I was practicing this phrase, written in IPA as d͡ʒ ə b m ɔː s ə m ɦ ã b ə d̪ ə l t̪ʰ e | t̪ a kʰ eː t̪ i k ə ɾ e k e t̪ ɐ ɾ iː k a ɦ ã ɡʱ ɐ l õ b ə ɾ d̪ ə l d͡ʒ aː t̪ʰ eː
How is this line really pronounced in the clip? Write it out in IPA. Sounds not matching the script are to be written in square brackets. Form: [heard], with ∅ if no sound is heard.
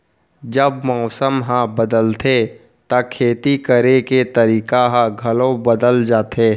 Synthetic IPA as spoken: d͡ʒ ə b m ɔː s ə m ɦ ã b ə d̪ ə l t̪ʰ e | t̪ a kʰ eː t̪ i k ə ɾ e k e t̪ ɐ ɾ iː k a ɦ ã ɡʱ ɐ l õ b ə [∅] d̪ ə l d͡ʒ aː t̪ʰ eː

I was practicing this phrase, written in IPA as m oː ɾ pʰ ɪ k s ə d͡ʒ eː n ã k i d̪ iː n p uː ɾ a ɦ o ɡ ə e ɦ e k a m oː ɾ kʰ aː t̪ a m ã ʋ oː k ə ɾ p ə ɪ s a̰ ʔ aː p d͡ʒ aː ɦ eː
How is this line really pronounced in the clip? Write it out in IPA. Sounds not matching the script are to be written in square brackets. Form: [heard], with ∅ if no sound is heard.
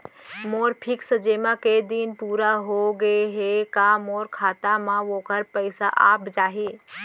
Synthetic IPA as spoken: m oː ɾ pʰ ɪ k s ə d͡ʒ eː [m] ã k [e] d̪ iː n p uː ɾ a ɦ o ɡ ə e ɦ e k a m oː ɾ kʰ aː t̪ a m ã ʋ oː k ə ɾ p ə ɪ s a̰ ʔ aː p d͡ʒ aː ɦ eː

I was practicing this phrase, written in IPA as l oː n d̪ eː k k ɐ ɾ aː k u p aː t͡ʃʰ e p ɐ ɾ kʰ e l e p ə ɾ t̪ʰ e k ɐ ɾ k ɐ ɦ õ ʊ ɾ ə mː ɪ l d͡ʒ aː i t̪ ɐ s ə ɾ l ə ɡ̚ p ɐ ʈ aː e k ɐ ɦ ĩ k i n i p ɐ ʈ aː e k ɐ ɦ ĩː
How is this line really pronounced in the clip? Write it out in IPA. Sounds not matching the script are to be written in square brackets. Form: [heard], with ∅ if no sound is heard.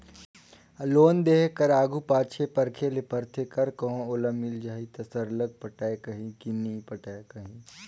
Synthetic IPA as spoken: l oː n d̪ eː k k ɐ ɾ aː [ɡ] u p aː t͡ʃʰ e p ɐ ɾ kʰ e l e p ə ɾ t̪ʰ e k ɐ ɾ k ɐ ɦ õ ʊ [l] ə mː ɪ l d͡ʒ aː i t̪ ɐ s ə ɾ l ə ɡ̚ p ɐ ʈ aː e k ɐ ɦ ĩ k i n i p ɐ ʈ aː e k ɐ ɦ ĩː

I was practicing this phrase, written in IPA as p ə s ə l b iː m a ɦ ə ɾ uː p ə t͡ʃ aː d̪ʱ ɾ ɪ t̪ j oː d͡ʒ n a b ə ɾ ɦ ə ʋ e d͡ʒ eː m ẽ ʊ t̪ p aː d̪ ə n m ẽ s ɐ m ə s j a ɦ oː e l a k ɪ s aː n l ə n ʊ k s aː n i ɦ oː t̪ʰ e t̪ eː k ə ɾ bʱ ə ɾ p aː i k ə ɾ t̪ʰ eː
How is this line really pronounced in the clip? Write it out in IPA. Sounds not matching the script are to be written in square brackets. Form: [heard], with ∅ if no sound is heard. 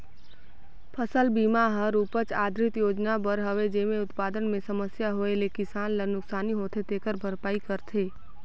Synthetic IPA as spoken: [pʰ] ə s ə l b iː m a ɦ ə ɾ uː p ə t͡ʃ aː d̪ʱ ɾ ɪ t̪ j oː d͡ʒ n a b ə ɾ ɦ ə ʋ e d͡ʒ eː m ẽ ʊ t̪ p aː d̪ ə n m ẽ s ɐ m ə s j a ɦ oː e l [e] k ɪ s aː n l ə n ʊ k s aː n i ɦ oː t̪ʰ e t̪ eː k ə ɾ bʱ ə ɾ p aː i k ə ɾ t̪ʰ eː

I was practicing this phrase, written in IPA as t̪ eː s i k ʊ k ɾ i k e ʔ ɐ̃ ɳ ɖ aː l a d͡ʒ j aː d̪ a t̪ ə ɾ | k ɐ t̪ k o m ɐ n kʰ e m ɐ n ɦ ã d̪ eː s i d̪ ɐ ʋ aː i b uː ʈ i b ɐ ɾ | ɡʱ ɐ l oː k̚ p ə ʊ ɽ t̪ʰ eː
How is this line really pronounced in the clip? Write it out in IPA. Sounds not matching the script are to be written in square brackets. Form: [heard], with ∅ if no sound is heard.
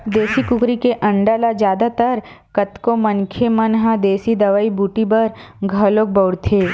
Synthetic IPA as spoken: [d̪] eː s i k ʊ k ɾ i k e ʔ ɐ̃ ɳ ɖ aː l a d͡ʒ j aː d̪ a t̪ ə ɾ | k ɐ t̪ k o m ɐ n kʰ e m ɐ n ɦ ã d̪ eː s i d̪ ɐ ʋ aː i b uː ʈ i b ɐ ɾ | ɡʱ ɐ l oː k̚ [b] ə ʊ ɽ t̪ʰ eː

